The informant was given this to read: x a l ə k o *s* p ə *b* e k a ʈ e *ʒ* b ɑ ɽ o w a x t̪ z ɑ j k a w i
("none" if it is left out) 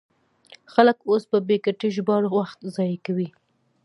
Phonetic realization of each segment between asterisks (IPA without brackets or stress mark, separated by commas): s, b, ʒ